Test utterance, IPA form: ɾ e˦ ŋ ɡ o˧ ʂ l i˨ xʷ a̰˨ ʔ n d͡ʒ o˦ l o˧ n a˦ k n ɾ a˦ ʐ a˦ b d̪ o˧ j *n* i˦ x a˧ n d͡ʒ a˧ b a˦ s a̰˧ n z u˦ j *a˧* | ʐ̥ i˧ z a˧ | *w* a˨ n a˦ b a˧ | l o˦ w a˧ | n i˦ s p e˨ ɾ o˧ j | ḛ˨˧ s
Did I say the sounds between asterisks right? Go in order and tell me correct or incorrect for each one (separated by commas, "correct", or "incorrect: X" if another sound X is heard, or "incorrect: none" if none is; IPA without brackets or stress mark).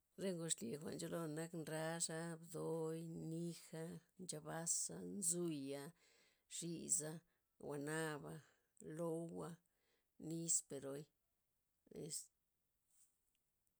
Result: correct, correct, correct